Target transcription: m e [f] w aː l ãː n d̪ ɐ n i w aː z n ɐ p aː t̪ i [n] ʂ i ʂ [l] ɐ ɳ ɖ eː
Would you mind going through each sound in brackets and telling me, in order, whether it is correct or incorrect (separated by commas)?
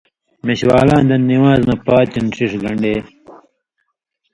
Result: incorrect, correct, correct